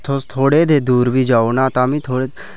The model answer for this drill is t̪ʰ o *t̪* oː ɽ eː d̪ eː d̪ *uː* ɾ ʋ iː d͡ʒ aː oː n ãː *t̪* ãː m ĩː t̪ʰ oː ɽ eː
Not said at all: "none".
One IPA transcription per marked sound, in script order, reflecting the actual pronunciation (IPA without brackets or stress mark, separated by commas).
t̪ʰ, uː, t̪